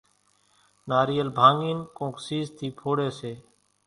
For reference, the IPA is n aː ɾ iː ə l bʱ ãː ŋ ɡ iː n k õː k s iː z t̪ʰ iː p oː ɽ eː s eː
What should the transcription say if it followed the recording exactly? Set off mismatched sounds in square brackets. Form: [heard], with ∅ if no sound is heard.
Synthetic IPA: n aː ɾ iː ə l bʱ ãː ŋ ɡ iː n k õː k s iː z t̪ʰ iː [pʰ] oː ɽ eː s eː